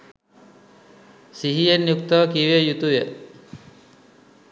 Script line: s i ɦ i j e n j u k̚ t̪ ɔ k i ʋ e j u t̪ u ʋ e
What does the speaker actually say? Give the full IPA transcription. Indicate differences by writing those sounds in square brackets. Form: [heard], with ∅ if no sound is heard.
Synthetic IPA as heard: s i ɦ i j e n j u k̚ t̪ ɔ k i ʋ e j u t̪ u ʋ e